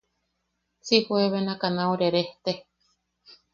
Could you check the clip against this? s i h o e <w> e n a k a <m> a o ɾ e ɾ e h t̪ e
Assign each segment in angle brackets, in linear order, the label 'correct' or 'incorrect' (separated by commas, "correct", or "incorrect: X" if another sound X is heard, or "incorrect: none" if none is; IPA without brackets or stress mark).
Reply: incorrect: β, incorrect: n